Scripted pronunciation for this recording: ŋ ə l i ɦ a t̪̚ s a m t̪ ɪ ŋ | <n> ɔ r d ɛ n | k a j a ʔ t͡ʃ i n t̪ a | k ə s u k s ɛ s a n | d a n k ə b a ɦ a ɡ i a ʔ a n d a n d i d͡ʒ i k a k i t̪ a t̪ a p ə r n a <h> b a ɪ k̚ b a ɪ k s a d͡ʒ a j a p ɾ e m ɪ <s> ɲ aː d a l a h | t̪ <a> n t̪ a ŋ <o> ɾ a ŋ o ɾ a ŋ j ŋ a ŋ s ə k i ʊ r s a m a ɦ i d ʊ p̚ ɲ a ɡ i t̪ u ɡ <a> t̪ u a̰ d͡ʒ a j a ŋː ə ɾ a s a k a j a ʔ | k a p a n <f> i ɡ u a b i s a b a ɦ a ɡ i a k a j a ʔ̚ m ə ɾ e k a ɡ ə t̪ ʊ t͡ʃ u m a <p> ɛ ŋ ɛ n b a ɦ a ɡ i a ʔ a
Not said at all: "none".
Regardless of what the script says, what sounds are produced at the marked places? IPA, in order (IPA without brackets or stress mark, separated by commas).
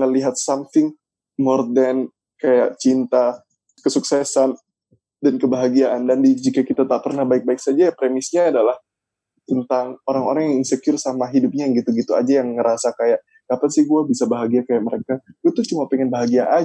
m, h, s, ə, o, i, s, p